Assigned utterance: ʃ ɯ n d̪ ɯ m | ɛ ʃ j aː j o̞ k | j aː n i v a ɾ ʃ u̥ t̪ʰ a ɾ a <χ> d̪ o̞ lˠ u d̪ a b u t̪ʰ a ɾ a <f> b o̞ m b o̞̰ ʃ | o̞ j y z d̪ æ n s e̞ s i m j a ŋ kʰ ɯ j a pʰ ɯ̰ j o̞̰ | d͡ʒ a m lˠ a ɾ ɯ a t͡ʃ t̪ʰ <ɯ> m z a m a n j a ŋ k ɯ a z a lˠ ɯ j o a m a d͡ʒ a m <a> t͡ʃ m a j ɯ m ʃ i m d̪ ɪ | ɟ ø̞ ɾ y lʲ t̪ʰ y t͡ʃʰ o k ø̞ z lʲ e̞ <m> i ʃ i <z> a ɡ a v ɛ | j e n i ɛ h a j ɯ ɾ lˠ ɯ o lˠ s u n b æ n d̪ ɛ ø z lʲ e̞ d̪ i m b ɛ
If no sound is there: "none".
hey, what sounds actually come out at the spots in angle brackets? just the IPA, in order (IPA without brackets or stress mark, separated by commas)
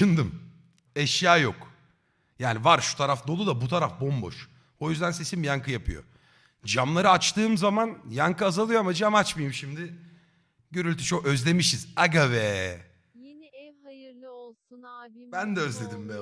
f, f, ɯː, a, m, z